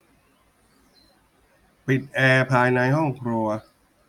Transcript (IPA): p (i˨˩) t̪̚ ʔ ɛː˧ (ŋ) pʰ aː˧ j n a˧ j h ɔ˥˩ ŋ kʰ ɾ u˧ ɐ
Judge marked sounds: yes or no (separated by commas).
yes, no